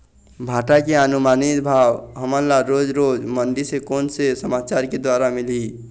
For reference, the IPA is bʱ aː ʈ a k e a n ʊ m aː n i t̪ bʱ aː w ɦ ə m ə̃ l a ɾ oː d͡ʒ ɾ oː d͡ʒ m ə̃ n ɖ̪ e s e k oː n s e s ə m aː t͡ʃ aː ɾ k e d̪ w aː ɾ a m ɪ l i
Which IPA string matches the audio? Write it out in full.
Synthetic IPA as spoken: bʱ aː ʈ a k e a n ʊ m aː n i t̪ bʱ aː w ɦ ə m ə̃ l a ɾ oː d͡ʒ ɾ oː d͡ʒ m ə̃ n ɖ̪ i s e k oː n s e s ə m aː t͡ʃ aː ɾ k e d̪ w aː ɾ a m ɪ l i